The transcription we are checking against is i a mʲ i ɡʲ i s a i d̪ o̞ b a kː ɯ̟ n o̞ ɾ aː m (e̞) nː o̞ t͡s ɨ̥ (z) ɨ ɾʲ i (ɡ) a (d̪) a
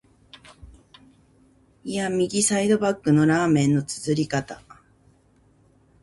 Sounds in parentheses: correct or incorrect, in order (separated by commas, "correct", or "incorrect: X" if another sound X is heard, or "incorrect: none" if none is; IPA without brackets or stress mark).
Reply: incorrect: ẽ̞, correct, incorrect: k, incorrect: t̪